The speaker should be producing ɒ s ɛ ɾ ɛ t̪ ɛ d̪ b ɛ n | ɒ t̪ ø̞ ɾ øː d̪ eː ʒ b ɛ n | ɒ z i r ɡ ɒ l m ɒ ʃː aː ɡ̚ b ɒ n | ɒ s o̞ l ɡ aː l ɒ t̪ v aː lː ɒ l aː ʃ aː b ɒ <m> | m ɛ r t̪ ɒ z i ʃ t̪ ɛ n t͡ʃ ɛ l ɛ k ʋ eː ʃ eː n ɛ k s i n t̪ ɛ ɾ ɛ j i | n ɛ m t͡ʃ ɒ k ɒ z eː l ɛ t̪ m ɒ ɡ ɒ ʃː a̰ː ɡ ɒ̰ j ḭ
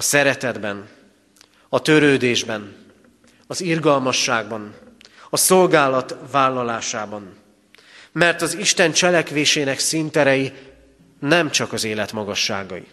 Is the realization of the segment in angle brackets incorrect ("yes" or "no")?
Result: yes